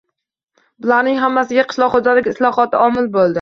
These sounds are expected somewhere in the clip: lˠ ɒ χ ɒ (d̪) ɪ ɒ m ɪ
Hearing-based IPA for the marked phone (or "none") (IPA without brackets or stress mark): t̪